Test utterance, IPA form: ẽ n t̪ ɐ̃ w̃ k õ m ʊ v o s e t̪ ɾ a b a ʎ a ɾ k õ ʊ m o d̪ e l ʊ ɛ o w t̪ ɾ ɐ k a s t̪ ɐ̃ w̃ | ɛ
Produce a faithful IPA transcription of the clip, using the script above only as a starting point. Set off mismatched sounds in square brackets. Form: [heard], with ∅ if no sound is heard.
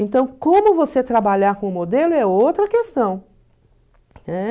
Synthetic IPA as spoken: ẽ n t̪ ɐ̃ w̃ k õ m ʊ v o s e t̪ ɾ a b a ʎ a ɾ k õ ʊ m o d̪ e l ʊ ɛ o w t̪ ɾ ɐ k [e] s t̪ ɐ̃ w̃ | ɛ